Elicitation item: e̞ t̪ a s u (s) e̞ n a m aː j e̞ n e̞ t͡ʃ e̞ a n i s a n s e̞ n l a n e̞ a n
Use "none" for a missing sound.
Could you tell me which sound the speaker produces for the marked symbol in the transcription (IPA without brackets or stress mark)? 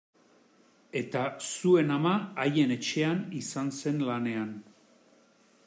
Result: none